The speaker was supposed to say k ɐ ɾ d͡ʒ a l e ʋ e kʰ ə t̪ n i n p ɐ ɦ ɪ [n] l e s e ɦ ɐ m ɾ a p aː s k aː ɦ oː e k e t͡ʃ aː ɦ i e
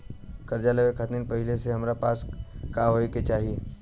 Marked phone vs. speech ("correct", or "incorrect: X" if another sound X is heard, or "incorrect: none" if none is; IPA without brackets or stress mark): incorrect: none